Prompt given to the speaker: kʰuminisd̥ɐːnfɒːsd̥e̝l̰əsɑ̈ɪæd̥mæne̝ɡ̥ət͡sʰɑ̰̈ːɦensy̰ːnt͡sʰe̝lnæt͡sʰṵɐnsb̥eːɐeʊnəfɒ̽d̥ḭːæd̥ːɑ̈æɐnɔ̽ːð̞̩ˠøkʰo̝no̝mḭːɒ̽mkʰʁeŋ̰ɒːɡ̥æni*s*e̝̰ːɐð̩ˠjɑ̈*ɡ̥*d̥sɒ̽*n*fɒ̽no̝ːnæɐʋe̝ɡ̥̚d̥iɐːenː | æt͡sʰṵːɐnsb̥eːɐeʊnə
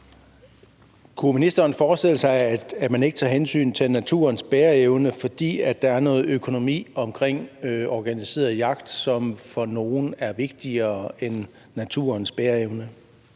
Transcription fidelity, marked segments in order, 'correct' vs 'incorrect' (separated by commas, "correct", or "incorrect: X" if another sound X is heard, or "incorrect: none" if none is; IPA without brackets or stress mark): correct, correct, incorrect: m